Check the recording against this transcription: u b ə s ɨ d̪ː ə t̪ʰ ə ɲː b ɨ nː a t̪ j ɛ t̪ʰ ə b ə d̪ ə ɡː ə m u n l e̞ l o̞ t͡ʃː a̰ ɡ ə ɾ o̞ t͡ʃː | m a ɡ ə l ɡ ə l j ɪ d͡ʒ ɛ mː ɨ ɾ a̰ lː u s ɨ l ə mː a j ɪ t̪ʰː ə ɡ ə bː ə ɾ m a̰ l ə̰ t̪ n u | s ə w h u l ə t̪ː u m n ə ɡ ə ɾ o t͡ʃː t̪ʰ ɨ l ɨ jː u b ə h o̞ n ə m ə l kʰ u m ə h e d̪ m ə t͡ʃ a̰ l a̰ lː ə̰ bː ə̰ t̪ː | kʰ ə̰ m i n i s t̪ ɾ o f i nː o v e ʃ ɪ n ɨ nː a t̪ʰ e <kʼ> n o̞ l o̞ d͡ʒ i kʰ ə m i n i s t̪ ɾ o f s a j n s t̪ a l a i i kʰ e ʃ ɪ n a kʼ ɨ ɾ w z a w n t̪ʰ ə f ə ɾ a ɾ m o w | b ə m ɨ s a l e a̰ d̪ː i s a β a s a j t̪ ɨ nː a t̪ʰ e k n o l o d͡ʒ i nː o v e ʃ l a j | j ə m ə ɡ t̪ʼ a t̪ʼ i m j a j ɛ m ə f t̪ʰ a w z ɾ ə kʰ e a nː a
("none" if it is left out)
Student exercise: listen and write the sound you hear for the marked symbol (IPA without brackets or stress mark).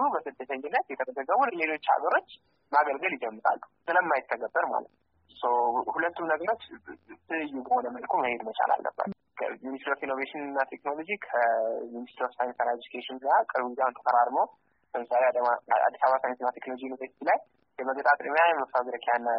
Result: k